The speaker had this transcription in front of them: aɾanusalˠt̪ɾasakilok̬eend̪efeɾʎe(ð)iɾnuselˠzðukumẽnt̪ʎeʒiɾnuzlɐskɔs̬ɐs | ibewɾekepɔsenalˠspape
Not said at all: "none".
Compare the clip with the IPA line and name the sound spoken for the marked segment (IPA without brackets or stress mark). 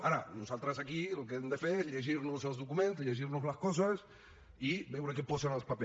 ʒ